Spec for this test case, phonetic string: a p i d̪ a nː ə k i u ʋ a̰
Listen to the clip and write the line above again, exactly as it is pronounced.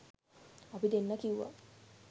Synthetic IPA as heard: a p i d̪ e nː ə k i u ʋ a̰